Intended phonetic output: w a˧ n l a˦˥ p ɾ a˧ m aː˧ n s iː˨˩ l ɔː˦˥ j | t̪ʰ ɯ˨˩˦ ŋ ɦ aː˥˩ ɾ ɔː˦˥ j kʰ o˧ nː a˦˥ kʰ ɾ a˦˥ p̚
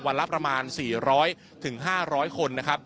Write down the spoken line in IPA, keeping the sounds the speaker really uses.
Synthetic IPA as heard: w a˧ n l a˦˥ p ɾ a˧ m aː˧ n s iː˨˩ ɾ ɔː˦˥ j | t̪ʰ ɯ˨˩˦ ŋ ɦ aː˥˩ ɾ ɔː˦˥ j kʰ o˧ nː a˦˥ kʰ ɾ a˦˥ p̚